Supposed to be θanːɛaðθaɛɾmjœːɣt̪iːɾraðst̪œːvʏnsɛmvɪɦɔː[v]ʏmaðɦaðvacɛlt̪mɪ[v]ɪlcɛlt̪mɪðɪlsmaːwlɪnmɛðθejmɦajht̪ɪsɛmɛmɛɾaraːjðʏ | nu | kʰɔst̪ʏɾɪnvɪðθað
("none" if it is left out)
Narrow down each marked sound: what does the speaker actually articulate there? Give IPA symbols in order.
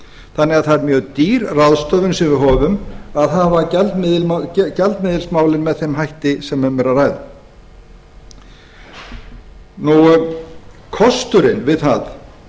v, ð

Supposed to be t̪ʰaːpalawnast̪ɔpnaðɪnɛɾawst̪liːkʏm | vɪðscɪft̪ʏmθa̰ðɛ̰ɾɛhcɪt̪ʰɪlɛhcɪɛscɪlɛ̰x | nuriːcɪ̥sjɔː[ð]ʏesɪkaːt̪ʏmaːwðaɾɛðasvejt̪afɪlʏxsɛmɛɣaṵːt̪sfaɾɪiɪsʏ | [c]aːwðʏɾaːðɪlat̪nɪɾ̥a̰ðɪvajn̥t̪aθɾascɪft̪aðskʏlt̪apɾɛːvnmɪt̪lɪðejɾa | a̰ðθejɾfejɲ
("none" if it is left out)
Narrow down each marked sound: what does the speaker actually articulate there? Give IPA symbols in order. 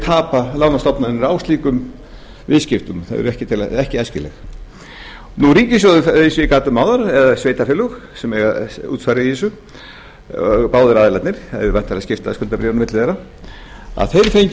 ð, p

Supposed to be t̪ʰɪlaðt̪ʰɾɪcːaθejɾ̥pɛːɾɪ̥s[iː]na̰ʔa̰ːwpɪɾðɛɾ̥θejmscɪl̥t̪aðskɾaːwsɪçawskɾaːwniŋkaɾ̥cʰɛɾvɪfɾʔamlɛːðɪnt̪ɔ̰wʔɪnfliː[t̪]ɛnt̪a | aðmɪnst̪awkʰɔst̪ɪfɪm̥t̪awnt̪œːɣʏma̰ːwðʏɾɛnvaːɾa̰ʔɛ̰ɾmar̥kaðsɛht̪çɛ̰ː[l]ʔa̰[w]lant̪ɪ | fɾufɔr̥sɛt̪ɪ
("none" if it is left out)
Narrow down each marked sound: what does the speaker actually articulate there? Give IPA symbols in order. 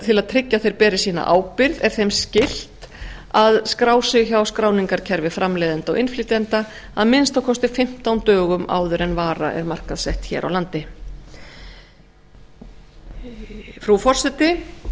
iː, t̪, ɾ, w

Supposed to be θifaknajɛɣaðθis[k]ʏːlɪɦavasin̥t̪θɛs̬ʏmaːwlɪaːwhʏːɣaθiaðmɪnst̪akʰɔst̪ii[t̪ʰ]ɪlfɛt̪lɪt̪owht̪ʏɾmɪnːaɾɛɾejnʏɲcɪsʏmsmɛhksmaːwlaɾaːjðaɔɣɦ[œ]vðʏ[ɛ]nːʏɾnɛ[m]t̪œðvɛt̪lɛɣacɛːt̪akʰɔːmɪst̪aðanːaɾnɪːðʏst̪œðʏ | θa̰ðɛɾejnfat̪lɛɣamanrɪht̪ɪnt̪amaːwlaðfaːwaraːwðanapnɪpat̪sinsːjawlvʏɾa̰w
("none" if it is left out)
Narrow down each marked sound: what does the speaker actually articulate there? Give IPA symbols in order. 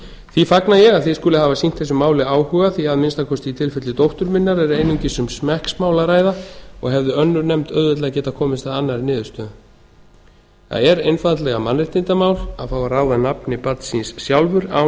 k, t̪ʰ, ɛ, œ, m

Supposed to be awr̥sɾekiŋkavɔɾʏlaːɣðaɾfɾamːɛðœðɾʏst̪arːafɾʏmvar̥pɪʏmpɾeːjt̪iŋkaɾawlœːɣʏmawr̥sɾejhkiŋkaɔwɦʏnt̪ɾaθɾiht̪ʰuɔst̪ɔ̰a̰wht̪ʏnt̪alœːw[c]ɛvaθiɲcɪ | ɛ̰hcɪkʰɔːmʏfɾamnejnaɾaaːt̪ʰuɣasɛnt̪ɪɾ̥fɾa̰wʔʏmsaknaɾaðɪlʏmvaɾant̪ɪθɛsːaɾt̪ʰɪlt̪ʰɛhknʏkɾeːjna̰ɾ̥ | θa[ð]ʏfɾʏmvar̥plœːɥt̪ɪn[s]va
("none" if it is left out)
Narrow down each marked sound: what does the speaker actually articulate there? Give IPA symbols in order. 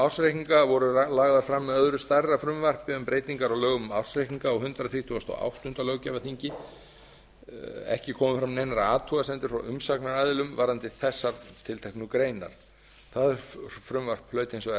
c, ð, s

